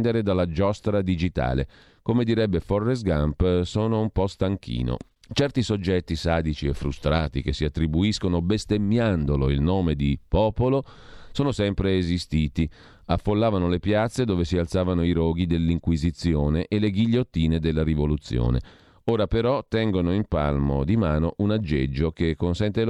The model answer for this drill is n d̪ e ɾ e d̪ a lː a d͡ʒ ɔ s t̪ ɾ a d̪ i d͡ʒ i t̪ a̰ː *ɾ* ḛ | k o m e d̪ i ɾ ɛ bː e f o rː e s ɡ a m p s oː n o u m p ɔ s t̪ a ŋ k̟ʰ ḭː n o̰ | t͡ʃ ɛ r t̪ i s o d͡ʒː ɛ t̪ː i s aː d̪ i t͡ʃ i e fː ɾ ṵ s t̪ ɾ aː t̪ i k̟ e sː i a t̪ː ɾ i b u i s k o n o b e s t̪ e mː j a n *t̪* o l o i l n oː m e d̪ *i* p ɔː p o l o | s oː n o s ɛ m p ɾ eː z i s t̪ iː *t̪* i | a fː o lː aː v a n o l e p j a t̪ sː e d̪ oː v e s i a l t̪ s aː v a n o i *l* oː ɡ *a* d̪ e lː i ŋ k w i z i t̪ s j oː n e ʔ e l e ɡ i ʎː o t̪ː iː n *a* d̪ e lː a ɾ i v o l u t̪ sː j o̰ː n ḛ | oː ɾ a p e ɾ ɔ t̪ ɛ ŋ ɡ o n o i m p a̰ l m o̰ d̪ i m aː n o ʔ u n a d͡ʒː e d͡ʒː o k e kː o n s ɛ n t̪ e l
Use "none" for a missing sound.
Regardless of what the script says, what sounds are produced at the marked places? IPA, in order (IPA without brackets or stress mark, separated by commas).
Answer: l, d̪, i, t̪, ɾ, i, e